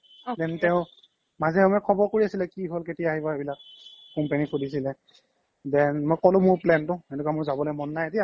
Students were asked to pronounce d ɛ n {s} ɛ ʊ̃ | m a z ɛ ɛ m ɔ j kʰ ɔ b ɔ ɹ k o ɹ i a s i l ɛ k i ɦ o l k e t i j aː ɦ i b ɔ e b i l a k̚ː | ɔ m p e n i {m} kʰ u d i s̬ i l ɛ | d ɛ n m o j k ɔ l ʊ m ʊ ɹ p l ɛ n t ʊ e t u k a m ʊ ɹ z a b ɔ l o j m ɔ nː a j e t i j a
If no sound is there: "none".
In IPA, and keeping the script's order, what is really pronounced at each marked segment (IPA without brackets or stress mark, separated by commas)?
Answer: t, none